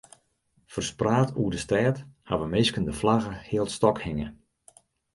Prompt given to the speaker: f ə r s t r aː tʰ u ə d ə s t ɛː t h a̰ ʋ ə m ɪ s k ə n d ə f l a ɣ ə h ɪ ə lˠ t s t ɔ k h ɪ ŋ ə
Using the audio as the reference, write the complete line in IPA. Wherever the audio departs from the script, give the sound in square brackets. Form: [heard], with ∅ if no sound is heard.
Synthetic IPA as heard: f ə r s [p] r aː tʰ u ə d ə s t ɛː t h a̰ ʋ ə m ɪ s k ə n d ə f l a ɣ ə h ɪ ə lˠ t s t ɔ k h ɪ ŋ ə